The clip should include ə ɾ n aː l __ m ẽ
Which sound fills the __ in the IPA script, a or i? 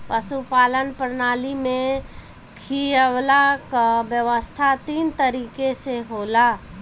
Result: i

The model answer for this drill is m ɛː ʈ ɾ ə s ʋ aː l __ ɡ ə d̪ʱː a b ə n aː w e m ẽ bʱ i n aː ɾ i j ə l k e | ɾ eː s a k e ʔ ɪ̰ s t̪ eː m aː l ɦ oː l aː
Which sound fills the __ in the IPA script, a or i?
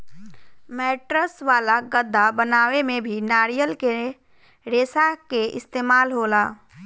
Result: a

